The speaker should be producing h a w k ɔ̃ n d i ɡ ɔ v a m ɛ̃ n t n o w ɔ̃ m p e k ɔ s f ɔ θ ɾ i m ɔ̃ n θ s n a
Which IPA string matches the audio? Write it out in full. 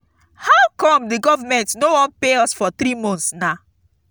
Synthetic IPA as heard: h a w k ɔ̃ m d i ɡ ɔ v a m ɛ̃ n t n o w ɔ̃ n p e ɔ s f ɔ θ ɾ i m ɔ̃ n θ s n a